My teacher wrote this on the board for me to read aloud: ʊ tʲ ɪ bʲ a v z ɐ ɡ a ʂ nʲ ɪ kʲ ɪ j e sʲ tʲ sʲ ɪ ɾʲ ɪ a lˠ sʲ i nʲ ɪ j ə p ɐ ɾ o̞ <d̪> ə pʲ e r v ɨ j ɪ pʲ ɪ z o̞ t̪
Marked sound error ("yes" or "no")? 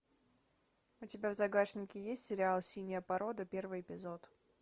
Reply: no